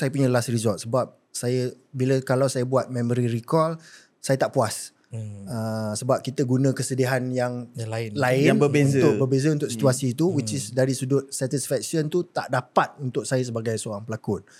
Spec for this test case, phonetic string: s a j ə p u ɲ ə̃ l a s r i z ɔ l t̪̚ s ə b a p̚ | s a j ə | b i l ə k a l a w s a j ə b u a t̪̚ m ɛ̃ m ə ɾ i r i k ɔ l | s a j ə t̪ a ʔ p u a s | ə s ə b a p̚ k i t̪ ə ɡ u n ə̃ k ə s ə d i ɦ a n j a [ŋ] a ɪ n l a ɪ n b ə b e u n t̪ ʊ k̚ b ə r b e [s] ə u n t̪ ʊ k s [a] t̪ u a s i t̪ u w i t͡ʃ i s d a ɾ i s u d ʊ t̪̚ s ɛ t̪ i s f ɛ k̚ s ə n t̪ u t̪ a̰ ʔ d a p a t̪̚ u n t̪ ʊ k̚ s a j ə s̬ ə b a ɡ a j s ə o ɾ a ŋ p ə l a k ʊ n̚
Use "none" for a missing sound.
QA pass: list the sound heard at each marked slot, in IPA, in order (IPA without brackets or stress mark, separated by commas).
ŋ, z, i